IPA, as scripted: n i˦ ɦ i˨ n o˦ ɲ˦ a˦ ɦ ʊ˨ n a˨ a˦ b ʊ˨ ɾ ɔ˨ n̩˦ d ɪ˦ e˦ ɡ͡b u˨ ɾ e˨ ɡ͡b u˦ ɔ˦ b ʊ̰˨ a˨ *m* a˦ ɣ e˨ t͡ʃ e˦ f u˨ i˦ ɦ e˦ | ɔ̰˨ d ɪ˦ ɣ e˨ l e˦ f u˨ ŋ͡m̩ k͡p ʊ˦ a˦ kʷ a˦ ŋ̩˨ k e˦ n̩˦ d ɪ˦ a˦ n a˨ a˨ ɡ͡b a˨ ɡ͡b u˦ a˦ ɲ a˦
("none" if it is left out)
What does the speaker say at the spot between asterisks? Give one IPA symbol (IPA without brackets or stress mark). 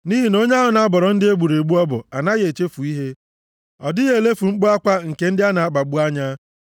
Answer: n